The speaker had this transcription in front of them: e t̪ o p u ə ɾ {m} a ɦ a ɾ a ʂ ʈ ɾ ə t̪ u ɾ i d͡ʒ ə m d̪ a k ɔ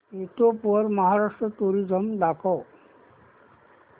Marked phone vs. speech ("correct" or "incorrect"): correct